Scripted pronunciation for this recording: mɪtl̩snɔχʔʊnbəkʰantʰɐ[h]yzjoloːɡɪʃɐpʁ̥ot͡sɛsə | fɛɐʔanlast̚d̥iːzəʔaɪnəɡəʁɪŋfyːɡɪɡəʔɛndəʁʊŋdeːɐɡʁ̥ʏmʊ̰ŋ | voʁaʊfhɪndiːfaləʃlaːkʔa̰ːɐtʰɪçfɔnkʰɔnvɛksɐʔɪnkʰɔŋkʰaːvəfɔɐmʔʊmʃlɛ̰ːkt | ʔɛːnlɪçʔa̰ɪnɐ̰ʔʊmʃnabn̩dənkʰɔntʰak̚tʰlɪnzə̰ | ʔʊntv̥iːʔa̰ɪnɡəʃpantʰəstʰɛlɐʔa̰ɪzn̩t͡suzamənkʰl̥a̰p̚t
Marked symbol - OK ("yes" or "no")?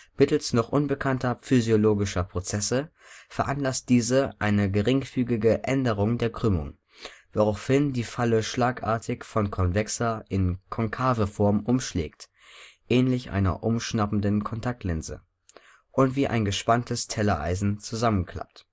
no